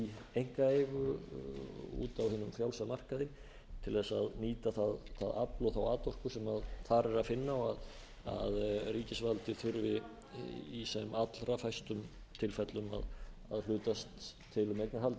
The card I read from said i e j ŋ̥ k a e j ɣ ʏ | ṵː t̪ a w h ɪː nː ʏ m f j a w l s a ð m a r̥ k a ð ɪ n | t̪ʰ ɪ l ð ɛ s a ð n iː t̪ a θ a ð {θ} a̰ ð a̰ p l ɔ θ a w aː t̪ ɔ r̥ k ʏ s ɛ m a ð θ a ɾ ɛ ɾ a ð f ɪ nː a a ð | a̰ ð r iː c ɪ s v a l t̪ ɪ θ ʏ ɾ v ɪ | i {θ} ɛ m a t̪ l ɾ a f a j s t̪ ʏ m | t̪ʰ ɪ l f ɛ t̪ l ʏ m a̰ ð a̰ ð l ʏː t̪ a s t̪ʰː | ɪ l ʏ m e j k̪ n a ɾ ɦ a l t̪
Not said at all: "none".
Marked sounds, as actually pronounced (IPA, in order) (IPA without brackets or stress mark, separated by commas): θ, s